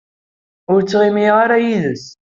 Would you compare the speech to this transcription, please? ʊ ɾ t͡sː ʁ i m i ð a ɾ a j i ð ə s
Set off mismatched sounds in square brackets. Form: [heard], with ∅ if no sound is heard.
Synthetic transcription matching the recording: ʊ ɾ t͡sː ʁ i m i [ʁ] a ɾ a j i ð ə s